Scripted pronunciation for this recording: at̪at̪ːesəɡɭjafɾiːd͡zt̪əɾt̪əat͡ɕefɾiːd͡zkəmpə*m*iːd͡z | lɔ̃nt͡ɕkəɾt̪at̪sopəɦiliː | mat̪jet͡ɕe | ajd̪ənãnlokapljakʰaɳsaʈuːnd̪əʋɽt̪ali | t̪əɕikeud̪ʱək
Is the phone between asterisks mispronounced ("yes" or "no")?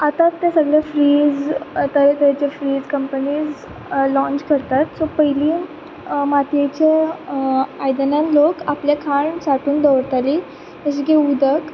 yes